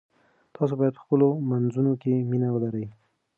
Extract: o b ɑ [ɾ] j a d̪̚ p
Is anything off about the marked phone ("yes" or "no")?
yes